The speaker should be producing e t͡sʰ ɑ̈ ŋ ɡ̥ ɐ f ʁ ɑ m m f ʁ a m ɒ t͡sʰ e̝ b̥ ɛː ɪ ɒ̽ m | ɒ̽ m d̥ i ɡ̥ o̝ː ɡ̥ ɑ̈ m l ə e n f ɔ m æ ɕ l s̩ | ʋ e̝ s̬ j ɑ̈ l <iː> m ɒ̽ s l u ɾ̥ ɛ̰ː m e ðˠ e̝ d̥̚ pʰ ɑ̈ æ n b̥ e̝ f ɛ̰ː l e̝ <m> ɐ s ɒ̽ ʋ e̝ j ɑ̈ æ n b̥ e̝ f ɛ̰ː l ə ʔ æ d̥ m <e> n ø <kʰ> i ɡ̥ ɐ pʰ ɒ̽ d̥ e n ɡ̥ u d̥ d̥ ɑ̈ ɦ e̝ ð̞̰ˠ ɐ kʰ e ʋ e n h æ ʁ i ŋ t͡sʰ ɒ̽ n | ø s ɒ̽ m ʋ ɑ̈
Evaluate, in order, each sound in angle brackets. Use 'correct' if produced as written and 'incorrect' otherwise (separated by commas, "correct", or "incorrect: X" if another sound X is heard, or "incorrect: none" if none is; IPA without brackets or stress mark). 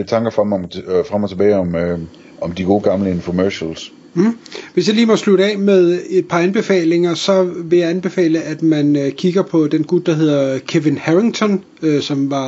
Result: correct, incorrect: ŋ, incorrect: æ, correct